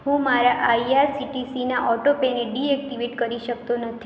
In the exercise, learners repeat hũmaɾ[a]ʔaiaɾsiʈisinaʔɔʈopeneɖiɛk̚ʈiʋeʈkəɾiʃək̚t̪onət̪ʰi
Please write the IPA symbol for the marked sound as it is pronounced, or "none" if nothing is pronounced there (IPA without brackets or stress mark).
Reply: a